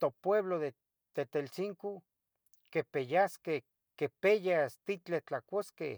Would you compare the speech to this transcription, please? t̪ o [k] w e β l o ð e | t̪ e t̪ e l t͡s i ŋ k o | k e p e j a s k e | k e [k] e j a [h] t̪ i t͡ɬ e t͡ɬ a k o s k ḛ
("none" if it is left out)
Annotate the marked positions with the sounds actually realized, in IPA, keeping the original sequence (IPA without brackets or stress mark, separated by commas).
p, p, s